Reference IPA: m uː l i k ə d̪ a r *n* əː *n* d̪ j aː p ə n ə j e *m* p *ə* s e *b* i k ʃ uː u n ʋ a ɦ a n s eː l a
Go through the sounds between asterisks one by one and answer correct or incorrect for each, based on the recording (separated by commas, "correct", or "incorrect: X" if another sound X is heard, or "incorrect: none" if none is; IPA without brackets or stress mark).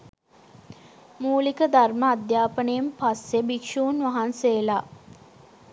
incorrect: m, incorrect: none, correct, incorrect: a, correct